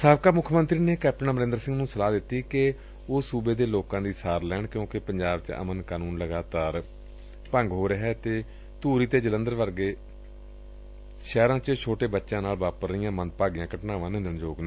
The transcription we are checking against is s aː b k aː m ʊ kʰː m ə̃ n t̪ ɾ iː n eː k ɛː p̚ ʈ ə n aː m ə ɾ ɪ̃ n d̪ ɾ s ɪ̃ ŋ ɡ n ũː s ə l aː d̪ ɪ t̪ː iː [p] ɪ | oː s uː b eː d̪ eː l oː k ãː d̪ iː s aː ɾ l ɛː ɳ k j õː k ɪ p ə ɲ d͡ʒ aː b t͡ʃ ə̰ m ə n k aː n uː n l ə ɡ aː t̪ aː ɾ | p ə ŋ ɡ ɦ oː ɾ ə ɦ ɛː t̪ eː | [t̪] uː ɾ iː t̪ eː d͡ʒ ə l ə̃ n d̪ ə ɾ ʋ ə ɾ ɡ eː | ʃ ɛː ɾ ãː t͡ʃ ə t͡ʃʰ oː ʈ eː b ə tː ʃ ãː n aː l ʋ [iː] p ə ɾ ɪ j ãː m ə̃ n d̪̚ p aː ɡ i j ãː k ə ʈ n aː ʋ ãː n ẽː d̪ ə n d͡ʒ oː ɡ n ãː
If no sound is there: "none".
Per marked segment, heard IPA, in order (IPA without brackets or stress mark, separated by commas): k, t̪, aː